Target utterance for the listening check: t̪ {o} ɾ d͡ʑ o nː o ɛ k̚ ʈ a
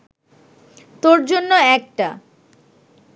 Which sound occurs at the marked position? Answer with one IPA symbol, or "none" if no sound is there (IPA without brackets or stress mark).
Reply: o